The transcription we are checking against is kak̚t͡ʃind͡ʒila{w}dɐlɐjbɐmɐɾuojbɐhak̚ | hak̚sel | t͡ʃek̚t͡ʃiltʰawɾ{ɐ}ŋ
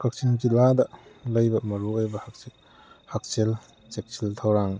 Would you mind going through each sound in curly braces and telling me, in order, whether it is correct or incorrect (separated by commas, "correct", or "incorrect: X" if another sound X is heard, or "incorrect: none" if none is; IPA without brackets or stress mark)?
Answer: incorrect: none, incorrect: a